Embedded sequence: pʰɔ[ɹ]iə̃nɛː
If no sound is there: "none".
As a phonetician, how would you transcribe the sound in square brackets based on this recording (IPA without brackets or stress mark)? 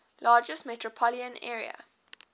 l